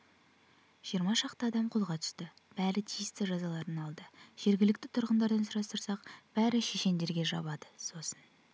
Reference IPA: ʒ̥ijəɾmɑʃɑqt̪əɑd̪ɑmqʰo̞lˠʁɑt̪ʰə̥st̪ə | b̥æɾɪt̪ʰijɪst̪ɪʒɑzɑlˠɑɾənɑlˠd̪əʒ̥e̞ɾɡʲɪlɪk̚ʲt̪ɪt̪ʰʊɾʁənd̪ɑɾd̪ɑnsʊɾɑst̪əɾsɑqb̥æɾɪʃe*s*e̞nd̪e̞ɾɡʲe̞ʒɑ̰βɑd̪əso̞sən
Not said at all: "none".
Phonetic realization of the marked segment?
ʃ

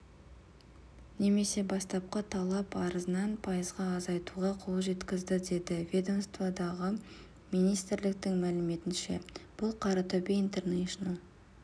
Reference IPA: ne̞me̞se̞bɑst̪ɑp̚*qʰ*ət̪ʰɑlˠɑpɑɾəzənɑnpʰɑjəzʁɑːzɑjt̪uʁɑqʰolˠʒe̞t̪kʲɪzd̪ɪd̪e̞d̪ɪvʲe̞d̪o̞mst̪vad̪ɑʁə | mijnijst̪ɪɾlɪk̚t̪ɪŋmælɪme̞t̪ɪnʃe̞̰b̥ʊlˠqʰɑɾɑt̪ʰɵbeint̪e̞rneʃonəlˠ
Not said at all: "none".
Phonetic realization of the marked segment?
q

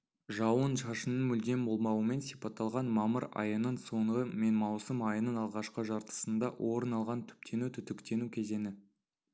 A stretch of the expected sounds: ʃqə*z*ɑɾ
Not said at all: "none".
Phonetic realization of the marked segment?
ʒ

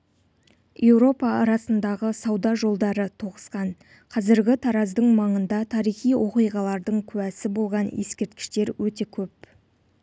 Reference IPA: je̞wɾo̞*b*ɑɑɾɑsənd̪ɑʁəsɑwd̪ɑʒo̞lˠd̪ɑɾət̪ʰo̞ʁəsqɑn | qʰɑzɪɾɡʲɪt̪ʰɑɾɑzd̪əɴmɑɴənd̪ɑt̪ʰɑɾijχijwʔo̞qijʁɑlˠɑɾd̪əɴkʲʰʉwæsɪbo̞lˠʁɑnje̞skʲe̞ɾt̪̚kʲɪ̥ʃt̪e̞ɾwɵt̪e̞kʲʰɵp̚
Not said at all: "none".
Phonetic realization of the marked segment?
p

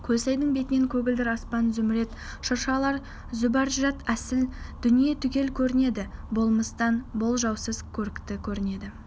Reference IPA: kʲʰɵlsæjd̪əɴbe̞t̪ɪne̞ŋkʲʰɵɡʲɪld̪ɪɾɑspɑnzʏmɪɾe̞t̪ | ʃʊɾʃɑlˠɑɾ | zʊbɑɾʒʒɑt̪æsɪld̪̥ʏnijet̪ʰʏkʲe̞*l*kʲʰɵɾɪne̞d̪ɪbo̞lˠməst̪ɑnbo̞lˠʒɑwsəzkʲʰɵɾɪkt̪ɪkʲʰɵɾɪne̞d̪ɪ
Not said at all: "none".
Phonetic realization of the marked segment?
l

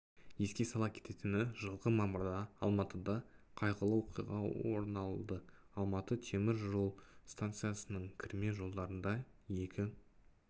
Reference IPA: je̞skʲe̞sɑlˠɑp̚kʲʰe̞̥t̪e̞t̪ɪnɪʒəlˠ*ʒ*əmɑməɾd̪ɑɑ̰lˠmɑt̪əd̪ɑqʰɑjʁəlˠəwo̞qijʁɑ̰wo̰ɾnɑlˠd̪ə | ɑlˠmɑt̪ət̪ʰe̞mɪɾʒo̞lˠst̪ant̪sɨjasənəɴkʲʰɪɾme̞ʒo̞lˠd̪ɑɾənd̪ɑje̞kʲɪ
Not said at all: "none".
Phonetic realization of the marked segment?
ʁ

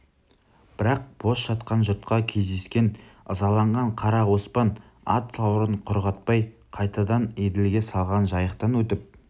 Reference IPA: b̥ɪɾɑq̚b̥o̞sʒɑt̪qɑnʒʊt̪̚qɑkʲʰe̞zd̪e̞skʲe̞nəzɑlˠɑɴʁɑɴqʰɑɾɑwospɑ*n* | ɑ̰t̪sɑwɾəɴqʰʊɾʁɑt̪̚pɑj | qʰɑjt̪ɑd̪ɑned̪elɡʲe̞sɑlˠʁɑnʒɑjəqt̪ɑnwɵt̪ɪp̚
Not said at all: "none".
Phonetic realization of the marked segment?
n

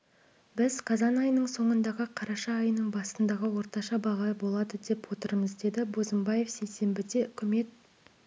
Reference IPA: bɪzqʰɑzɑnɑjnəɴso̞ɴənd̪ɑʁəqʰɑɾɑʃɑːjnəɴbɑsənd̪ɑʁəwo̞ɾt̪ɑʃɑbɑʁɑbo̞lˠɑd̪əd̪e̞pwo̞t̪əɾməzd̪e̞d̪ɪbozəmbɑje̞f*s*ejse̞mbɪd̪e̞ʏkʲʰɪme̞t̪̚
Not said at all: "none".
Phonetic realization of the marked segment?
s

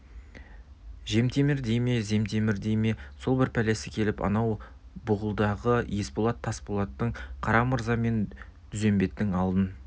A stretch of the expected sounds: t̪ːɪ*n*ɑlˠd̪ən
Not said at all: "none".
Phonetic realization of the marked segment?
ŋ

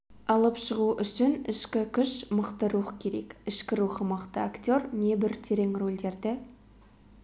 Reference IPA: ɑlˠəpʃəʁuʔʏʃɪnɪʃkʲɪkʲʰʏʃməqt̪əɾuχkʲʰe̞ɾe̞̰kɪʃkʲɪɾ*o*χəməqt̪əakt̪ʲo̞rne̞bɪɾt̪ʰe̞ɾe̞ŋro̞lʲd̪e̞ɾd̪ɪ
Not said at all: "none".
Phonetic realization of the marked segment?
u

